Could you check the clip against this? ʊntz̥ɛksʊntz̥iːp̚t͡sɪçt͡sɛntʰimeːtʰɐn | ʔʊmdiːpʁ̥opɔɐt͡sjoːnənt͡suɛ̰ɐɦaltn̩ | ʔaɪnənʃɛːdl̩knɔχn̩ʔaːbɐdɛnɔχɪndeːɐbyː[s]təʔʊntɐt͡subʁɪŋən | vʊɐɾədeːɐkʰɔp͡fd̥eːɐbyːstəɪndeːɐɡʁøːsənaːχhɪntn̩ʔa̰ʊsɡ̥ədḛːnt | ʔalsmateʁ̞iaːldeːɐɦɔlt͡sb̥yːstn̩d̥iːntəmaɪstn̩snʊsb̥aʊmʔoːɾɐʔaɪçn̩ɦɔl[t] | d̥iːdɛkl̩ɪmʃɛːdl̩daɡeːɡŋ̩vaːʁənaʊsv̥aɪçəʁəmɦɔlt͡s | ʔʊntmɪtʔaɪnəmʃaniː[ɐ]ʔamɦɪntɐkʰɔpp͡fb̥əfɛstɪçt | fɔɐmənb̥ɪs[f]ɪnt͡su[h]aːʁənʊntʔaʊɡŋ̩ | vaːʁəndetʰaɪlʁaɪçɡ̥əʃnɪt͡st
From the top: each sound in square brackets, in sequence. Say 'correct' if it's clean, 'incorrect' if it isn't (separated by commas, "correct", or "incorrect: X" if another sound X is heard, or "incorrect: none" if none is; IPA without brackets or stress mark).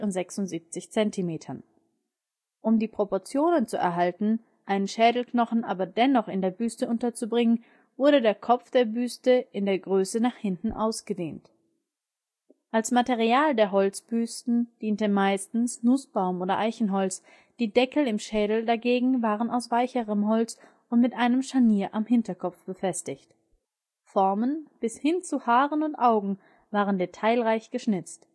correct, incorrect: t͡s, correct, incorrect: h, correct